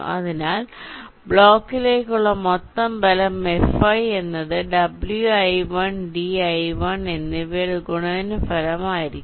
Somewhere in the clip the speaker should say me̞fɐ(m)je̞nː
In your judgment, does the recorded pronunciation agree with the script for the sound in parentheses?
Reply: no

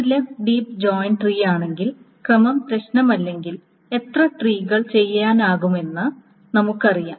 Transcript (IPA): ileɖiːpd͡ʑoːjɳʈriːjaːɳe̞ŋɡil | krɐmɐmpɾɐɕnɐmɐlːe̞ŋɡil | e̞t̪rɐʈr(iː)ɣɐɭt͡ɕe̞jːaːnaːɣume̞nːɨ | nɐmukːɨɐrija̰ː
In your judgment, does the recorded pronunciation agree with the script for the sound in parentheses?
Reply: yes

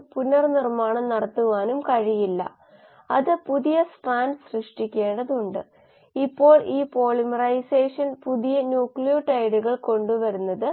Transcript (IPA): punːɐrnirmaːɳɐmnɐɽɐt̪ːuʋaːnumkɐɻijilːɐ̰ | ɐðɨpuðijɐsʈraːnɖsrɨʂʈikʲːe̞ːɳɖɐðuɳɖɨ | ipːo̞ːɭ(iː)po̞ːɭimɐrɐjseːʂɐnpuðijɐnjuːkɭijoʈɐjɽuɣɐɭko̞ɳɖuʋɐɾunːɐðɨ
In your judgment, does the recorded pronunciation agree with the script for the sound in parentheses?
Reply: yes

